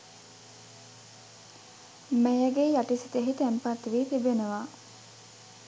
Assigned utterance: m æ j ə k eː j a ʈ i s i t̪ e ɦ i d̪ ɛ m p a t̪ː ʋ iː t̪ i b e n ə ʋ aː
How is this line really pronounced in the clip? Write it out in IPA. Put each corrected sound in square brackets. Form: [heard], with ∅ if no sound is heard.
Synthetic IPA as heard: m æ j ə [ɡ] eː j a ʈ i s i t̪ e ɦ i [t̪] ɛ m p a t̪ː ʋ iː t̪ i b e n ə ʋ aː